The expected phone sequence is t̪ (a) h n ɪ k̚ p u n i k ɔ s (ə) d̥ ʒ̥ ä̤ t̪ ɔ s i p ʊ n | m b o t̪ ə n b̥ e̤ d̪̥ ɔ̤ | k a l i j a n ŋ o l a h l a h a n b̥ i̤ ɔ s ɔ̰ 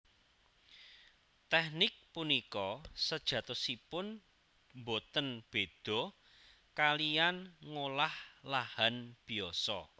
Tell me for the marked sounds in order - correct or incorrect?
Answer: incorrect, correct

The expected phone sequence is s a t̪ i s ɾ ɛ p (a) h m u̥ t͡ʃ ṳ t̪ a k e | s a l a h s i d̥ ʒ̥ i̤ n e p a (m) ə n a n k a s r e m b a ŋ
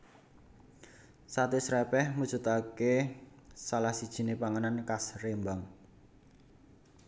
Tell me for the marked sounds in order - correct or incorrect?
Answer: incorrect, incorrect

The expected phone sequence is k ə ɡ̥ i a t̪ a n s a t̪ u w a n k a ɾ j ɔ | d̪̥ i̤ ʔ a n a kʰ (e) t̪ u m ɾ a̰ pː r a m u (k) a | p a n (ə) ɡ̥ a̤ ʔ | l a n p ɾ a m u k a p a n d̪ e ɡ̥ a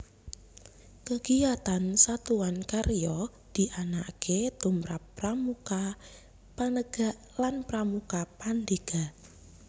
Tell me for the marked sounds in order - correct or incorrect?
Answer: correct, correct, correct

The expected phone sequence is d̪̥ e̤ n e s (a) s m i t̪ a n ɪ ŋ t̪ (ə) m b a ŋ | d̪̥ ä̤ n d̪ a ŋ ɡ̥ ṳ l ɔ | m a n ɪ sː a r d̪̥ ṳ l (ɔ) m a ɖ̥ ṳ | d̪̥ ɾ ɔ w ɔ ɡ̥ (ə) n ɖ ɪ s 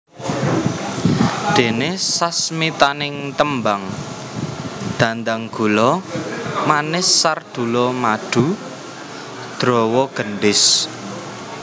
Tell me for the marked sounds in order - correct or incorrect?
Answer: correct, correct, correct, correct

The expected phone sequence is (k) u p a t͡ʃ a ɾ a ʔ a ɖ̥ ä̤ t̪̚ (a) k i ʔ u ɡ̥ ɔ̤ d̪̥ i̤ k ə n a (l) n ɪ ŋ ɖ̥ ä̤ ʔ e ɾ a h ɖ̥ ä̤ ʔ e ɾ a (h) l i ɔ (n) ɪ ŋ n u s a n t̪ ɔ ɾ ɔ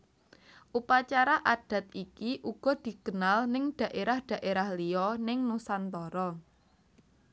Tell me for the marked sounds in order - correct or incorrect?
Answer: incorrect, incorrect, correct, correct, correct

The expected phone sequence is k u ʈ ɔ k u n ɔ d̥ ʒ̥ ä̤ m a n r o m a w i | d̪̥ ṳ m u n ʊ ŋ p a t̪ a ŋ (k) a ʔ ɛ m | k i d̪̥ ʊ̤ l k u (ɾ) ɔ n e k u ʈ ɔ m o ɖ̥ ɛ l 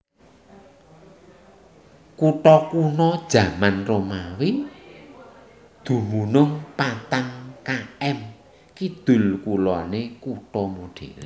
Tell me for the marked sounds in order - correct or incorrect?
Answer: correct, incorrect

